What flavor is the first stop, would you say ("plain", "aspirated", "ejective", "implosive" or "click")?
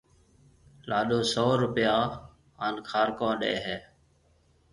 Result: implosive